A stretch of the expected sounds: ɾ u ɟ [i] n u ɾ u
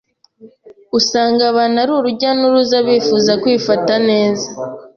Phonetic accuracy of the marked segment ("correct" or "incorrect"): incorrect